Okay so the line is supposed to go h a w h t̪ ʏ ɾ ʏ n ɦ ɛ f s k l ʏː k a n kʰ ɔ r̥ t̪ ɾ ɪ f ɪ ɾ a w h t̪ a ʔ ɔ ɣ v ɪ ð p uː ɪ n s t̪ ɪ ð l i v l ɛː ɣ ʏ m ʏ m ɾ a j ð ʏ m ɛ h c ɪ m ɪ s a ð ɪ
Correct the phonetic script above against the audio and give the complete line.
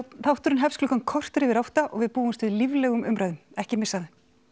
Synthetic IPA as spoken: θ a w h t̪ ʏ ɾ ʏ n ɦ ɛ f s k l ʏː k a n kʰ ɔ r̥ t̪ ɾ ɪ v ɪ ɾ a w h t̪ a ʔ ɔ ɣ v ɪ ð p uː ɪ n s t̪ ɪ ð l i v l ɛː ɣ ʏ m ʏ m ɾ a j ð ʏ m ɛ h c ɪ m ɪ s a ð ɪ